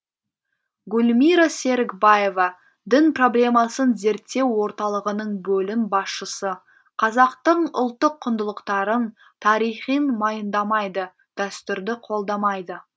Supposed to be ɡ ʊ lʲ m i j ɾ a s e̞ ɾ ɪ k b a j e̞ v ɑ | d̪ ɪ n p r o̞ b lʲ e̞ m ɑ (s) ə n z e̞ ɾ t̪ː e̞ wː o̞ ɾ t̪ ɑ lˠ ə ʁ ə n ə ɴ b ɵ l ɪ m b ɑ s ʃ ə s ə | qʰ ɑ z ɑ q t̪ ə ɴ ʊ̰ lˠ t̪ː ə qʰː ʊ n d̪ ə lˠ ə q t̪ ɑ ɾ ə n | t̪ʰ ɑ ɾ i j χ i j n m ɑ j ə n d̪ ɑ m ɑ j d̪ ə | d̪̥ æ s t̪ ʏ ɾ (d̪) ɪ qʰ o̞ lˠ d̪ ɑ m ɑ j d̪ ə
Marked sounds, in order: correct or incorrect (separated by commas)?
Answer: correct, correct